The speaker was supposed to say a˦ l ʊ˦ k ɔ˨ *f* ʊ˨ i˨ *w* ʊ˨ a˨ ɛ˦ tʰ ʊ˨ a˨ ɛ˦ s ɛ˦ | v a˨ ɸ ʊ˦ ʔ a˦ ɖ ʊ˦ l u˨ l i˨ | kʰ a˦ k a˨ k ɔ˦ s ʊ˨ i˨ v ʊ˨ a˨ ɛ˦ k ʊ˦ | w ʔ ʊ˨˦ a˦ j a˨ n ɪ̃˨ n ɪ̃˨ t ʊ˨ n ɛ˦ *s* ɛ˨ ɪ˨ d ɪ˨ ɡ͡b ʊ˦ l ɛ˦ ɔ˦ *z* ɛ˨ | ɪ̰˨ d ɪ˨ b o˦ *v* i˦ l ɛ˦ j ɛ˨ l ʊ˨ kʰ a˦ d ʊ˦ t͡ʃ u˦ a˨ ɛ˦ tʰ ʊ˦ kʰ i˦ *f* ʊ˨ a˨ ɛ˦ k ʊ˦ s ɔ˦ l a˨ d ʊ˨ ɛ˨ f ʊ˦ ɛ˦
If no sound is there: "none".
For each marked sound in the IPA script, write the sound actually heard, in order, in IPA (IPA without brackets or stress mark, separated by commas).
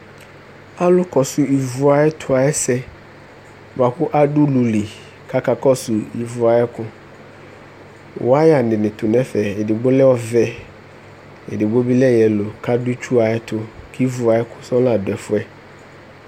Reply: s, v, f, v, b, v